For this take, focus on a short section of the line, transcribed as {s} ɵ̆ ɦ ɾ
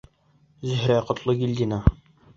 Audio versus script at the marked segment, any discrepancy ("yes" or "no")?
yes